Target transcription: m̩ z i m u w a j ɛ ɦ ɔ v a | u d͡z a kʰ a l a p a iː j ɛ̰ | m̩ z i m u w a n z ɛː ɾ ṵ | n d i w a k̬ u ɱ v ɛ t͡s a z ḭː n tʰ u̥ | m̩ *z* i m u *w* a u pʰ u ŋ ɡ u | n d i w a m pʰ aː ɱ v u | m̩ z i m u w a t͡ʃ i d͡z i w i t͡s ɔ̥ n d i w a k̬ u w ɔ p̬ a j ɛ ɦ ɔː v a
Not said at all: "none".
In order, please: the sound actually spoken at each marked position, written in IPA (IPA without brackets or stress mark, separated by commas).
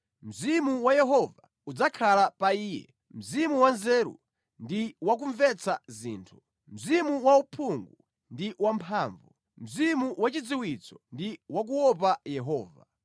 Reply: z, w